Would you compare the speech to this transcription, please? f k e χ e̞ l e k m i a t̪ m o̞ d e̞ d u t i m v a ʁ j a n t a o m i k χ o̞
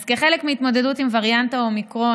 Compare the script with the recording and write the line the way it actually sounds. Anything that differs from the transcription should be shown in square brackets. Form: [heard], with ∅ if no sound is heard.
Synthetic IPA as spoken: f k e χ e̞ l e k m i [i] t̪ m o̞ d e̞ d u t i m v a ʁ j a n t a o m i k [ʁ] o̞